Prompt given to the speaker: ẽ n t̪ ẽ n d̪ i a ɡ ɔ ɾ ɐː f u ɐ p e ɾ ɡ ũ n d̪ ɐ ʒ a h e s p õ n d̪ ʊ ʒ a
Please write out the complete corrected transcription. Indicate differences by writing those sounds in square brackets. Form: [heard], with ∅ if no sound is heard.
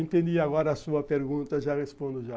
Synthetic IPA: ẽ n t̪ ẽ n d̪ i a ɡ ɔ ɾ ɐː [s] u ɐ p e ɾ ɡ ũ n [t̪] ɐ ʒ a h e s p õ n d̪ ʊ ʒ a